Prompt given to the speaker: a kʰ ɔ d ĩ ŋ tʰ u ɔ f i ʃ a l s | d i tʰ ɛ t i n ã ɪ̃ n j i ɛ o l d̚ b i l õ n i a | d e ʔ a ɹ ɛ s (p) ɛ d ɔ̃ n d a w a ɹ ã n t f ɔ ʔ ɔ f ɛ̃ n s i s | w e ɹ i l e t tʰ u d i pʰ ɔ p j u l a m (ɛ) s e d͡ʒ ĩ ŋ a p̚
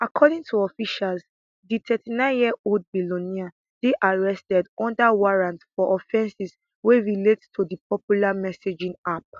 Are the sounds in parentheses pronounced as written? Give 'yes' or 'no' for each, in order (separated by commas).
no, yes